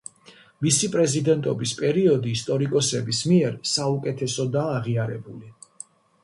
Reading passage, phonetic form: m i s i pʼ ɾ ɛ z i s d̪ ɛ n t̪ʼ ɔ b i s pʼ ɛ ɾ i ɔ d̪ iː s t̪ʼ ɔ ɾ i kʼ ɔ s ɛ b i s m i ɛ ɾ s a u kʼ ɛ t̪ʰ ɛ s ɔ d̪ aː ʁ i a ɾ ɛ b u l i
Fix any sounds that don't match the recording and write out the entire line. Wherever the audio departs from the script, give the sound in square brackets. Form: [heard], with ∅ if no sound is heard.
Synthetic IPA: m i s i pʼ ɾ ɛ z i [∅] d̪ ɛ n t̪ʼ ɔ b i s pʼ ɛ ɾ i ɔ d̪ iː s t̪ʼ ɔ ɾ i kʼ ɔ s ɛ b i s m i ɛ ɾ s a u kʼ ɛ t̪ʰ ɛ s ɔ d̪ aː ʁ i a ɾ ɛ b u l i

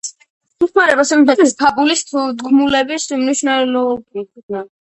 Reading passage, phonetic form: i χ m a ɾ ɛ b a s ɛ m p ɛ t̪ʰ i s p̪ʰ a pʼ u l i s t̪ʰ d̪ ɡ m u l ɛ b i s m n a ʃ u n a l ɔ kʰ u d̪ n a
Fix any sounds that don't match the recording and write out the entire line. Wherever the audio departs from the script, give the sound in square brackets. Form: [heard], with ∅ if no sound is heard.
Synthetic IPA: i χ m a ɾ ɛ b a s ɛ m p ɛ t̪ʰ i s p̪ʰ a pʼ u l i s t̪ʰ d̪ ɡ m u l ɛ b i s m n [i] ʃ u n a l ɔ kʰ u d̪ n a

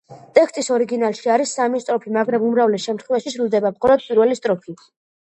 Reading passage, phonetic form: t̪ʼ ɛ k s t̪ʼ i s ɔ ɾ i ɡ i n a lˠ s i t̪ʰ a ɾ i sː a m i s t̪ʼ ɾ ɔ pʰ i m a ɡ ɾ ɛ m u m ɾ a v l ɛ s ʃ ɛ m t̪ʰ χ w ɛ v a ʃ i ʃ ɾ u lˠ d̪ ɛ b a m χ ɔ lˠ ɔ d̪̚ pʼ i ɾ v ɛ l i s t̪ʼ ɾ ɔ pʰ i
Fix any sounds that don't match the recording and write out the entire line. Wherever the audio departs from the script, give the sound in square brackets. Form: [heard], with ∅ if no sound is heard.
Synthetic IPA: t̪ʼ ɛ k s t̪ʼ i s ɔ ɾ i ɡ i n a lˠ [ʃ] i [∅] a ɾ i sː a m i s t̪ʼ ɾ ɔ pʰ i m a ɡ ɾ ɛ m u m ɾ a v l ɛ s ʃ ɛ m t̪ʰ χ w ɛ v a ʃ i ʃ ɾ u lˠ d̪ ɛ b a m χ ɔ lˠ ɔ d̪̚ pʼ i ɾ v ɛ l i s t̪ʼ ɾ ɔ pʰ i

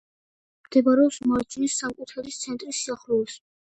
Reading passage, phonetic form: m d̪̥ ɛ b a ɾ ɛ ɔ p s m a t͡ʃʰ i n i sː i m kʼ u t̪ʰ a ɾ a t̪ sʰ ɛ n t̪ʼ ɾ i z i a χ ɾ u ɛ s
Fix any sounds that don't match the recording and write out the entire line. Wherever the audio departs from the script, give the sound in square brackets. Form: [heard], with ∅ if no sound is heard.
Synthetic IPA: m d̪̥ ɛ b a ɾ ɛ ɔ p s m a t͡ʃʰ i n i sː [a] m kʼ u t̪ʰ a ɾ [i] t̪ sʰ ɛ n t̪ʼ ɾ i [s] i a χ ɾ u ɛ s

